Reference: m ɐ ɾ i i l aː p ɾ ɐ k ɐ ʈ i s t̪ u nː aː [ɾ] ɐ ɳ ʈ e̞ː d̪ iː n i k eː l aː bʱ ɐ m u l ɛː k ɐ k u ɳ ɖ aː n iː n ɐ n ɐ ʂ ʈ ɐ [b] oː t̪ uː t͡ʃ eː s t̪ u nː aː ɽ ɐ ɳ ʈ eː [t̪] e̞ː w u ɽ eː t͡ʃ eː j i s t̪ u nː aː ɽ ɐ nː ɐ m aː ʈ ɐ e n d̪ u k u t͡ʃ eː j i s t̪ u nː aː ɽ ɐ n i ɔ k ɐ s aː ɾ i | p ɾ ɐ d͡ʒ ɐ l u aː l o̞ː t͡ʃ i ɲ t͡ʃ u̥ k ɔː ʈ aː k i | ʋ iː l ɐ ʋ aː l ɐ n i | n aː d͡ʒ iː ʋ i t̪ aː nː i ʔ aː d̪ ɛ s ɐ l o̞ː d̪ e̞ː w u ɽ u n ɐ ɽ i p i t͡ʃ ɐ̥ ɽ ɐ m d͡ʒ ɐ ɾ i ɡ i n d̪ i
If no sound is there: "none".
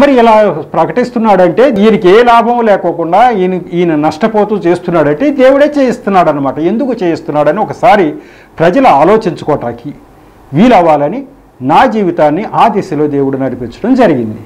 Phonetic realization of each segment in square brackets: ɽ, p, d̪

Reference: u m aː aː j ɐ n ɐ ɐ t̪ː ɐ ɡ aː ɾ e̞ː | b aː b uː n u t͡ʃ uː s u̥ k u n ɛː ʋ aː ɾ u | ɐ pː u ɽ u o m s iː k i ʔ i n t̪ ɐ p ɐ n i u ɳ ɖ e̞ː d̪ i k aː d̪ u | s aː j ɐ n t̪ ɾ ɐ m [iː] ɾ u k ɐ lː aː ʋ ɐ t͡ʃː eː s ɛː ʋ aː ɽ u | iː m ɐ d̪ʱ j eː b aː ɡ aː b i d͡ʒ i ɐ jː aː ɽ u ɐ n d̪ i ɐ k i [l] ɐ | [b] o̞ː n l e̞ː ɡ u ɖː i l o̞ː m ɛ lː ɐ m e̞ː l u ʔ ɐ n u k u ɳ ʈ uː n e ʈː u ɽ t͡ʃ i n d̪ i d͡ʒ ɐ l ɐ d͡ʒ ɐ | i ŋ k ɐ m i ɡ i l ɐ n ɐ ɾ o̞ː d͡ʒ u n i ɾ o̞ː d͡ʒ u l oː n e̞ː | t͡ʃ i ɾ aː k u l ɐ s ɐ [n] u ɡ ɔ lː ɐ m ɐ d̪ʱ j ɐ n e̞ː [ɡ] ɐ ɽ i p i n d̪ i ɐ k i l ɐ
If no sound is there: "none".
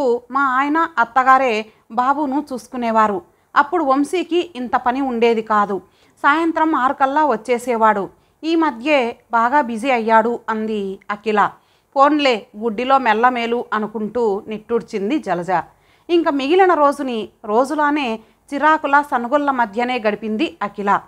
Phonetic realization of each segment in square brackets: aː, l, p, n, ɡ

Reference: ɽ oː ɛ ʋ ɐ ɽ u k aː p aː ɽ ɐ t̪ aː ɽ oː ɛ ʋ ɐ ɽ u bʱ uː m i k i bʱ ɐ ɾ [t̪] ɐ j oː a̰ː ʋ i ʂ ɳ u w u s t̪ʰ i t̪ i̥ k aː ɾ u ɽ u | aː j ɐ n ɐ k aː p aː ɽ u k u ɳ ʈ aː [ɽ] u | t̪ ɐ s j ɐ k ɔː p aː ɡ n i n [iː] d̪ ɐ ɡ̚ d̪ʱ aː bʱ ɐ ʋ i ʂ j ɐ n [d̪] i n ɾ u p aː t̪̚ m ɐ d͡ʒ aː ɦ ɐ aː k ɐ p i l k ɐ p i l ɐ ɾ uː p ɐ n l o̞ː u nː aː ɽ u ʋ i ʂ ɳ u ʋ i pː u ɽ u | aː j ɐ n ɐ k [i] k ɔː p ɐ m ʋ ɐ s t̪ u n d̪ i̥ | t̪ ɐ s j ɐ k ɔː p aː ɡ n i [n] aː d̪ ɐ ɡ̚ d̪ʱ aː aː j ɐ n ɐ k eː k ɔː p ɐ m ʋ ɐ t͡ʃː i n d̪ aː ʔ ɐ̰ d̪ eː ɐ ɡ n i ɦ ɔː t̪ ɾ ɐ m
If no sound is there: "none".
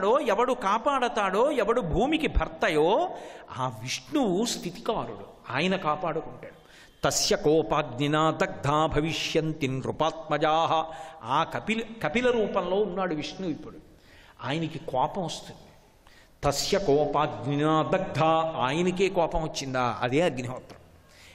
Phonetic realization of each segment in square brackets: t̪, ɽ, aː, t̪, i, n

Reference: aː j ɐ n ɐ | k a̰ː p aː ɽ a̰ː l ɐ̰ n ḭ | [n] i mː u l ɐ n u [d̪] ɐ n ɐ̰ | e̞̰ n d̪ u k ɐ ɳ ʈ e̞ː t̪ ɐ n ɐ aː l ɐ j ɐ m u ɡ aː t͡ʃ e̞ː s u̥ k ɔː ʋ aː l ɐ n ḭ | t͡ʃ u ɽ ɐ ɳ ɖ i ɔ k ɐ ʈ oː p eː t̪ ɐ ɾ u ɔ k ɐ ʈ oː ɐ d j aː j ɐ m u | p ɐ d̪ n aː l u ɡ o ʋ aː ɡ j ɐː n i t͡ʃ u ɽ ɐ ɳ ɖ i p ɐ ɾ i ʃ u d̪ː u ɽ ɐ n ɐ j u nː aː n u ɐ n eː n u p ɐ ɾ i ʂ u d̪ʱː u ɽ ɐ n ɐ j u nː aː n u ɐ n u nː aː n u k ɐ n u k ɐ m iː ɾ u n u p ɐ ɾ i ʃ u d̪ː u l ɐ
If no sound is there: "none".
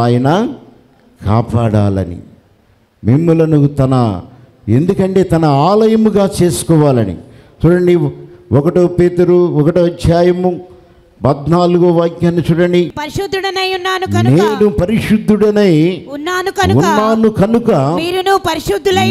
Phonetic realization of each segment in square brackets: m, t̪

